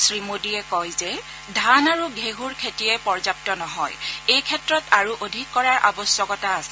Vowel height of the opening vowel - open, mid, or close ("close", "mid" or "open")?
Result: close